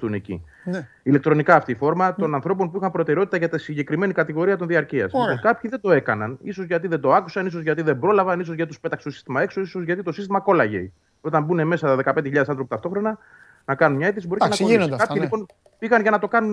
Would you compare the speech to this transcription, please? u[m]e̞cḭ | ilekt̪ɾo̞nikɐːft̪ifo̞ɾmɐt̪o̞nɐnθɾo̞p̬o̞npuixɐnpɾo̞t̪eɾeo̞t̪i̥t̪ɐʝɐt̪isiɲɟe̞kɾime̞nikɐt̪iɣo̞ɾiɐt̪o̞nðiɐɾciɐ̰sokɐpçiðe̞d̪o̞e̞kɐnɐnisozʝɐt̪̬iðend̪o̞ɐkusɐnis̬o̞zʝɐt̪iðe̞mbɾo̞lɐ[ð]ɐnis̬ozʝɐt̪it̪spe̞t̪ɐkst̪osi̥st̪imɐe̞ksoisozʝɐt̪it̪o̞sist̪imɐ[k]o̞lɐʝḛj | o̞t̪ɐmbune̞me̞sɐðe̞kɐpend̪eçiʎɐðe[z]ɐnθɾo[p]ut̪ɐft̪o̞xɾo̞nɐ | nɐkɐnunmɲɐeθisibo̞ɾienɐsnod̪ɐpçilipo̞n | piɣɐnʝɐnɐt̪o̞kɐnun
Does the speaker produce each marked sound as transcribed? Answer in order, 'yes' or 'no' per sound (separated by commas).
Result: no, no, yes, no, yes